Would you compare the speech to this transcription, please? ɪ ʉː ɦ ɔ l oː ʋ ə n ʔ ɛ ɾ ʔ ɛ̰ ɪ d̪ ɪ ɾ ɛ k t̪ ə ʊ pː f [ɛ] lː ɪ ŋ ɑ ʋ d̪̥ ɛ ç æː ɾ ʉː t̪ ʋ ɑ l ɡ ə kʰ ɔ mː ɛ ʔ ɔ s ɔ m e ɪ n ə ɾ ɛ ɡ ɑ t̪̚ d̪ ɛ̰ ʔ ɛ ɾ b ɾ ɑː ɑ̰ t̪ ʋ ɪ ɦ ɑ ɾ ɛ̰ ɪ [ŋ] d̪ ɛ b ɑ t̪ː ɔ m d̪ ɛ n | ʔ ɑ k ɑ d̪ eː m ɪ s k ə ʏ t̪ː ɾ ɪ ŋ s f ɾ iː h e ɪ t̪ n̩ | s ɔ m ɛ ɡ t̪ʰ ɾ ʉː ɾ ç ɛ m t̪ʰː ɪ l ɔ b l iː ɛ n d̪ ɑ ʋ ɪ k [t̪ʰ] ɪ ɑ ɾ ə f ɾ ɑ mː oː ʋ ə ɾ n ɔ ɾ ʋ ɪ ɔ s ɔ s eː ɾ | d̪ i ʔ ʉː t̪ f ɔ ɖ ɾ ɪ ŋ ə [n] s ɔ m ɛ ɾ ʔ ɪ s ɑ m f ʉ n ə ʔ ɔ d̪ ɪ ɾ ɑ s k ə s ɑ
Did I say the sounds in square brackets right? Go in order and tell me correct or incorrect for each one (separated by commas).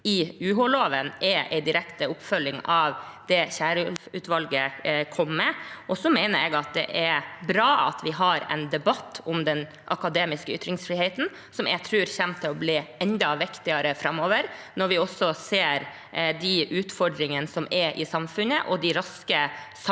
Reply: incorrect, incorrect, incorrect, correct